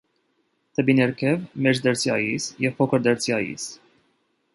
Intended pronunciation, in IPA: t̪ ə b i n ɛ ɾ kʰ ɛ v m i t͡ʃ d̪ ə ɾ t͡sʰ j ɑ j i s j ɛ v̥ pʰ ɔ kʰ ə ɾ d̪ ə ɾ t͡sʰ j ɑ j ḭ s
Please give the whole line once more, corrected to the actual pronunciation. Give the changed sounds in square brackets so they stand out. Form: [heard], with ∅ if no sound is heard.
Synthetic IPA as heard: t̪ ə b i n ɛ ɾ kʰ ɛ v m [ɛ] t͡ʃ d̪ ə ɾ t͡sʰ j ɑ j i s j ɛ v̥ pʰ ɔ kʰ ə ɾ d̪ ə ɾ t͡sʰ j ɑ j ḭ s